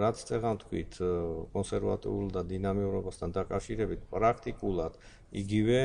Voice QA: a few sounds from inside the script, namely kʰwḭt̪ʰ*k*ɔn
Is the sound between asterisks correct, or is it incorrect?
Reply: incorrect